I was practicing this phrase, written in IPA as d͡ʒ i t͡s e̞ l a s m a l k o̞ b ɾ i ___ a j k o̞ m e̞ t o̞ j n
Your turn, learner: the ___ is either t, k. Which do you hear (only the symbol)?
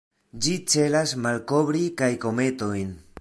k